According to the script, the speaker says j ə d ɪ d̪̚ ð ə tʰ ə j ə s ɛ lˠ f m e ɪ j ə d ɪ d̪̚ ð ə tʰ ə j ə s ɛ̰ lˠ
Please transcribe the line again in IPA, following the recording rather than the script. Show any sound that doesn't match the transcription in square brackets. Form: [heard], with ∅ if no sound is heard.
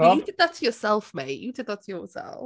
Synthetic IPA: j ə d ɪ d̪̚ ð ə tʰ ə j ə s ɛ lˠ f m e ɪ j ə d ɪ d̪̚ ð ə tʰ ə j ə s ɛ̰ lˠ